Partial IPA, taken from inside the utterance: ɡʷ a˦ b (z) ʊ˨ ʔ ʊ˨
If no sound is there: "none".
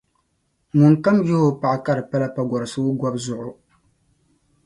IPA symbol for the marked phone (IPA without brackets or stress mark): z